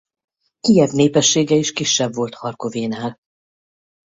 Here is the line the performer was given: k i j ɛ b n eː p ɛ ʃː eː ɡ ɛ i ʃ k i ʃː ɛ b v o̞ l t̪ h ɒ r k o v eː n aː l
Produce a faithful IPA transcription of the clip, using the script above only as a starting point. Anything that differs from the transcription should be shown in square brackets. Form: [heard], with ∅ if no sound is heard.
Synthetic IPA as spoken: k i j ɛ b n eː p ɛ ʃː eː ɡ ɛ i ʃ k i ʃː ɛ b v o̞ l t̪ h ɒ r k o v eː n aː l